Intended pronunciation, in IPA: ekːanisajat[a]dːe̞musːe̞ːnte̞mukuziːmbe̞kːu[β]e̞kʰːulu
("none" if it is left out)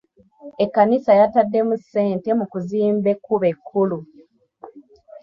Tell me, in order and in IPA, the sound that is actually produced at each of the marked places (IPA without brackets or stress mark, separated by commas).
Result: a, β